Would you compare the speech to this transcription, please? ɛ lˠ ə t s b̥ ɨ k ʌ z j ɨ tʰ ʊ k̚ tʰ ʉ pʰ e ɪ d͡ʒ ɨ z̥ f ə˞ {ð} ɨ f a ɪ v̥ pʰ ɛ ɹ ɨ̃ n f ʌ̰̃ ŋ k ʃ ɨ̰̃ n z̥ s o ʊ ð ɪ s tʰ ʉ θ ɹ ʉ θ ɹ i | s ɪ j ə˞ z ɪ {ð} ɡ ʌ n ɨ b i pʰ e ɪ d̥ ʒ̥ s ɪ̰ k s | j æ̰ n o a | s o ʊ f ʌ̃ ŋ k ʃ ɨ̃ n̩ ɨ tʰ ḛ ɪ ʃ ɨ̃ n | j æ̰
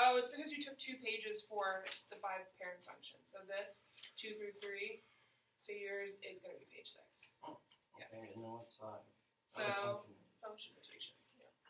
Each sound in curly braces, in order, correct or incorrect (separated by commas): correct, incorrect